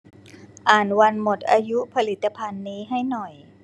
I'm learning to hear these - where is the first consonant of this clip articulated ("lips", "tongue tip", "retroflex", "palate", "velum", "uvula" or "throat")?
throat